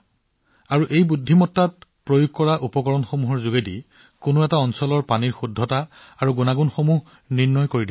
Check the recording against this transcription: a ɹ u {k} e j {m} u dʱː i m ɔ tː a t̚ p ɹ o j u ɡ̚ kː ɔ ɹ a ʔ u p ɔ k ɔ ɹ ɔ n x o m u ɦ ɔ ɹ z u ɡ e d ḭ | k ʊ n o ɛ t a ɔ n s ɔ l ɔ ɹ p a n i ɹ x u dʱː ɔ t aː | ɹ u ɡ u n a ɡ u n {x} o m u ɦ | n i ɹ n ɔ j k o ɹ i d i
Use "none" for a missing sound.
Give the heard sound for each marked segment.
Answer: ʔ, b, x

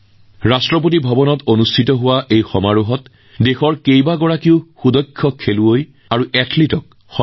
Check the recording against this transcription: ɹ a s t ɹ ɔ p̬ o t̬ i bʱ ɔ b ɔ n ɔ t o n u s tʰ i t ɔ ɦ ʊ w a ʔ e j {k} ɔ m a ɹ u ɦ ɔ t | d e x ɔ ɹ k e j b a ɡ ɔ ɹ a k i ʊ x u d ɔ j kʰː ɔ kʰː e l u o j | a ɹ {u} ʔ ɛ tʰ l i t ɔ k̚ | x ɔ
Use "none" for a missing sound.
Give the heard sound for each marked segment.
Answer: x, u

